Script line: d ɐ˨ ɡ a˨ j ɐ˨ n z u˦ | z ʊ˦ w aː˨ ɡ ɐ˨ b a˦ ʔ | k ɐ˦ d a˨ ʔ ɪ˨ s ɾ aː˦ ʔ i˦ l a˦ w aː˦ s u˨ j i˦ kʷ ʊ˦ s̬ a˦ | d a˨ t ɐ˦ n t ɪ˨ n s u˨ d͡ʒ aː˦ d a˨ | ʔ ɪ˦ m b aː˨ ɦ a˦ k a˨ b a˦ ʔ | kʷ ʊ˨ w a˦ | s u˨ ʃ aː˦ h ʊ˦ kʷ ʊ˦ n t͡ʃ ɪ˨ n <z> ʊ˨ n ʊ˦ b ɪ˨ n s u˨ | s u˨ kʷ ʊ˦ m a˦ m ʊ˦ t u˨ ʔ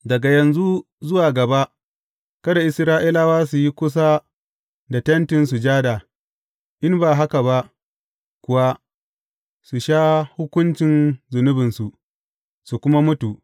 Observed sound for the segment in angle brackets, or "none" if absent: z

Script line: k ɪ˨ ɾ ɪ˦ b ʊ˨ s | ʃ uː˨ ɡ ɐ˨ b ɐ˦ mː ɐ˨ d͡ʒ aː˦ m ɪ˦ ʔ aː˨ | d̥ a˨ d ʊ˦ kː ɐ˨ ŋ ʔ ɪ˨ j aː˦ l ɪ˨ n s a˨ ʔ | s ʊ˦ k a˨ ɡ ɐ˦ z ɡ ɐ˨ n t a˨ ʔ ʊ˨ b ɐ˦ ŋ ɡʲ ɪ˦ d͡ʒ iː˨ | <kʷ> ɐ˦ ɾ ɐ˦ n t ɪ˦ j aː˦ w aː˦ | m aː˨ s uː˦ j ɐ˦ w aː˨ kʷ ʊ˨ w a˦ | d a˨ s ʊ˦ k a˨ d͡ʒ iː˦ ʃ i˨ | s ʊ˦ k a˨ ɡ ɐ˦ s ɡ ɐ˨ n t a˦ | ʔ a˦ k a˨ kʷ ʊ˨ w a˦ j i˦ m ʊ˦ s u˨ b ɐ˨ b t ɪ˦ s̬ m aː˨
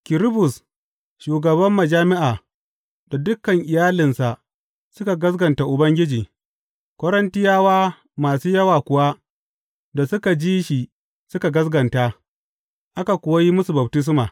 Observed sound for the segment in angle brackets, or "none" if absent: kʷ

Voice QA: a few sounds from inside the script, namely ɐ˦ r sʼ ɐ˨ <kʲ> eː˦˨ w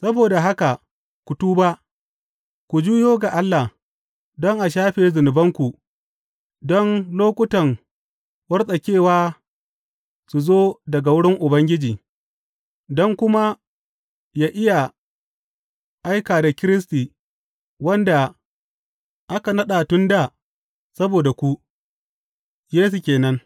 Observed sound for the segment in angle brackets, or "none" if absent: kʲ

